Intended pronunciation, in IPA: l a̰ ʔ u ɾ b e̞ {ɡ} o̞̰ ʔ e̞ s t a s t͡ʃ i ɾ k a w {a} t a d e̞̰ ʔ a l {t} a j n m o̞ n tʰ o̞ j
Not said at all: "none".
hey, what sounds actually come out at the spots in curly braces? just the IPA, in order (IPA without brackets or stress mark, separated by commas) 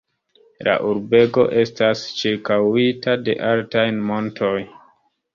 ɡ, i, t